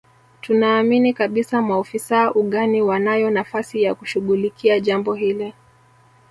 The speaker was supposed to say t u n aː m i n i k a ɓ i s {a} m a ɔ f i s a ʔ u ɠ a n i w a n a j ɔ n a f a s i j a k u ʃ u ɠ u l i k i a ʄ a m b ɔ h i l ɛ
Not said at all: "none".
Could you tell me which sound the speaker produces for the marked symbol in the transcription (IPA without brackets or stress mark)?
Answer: a